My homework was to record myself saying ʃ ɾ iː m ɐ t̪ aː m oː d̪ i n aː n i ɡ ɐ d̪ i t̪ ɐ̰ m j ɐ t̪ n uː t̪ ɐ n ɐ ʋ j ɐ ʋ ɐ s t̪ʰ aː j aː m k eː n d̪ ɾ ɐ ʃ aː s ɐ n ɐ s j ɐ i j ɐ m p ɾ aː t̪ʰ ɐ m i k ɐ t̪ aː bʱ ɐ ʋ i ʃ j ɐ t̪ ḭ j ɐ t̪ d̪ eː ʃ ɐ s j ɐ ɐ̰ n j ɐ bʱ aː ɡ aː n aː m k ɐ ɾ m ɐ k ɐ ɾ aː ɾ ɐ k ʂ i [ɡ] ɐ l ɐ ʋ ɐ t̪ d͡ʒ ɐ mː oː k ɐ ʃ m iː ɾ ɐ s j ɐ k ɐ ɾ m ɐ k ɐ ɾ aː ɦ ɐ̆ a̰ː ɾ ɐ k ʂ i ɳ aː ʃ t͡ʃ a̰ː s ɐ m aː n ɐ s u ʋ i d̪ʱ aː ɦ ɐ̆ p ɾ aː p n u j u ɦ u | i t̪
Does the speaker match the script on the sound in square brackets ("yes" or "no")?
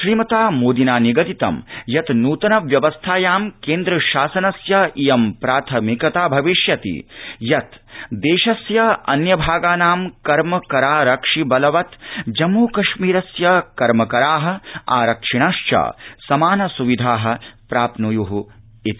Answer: no